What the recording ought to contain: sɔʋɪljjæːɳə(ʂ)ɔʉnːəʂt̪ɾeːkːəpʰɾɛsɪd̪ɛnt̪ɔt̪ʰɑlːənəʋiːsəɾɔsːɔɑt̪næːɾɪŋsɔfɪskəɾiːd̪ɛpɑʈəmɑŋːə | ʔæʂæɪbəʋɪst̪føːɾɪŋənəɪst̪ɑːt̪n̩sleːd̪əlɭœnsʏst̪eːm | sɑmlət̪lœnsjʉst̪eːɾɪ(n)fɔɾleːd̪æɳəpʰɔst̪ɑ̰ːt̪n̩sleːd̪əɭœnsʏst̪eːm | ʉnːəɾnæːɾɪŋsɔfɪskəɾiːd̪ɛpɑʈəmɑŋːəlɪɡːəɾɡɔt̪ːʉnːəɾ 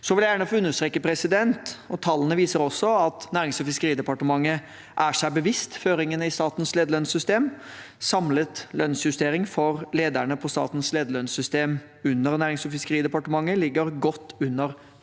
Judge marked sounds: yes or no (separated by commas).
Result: no, no